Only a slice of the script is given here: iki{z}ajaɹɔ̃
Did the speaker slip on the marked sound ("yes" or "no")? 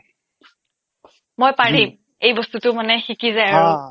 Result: no